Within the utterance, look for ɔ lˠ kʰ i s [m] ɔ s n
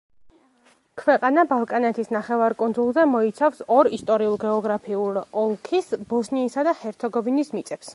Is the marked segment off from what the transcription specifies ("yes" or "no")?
yes